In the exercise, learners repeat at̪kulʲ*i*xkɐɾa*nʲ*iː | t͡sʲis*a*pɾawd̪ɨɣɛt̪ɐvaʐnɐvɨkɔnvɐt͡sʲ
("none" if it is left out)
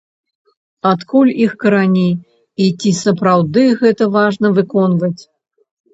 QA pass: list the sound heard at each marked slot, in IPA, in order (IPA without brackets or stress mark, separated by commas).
i, nʲ, ɐ